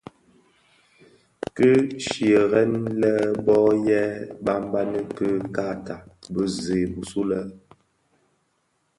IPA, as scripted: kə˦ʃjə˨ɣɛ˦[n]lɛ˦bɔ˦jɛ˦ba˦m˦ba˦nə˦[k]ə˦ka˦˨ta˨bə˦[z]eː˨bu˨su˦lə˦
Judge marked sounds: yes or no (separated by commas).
yes, yes, yes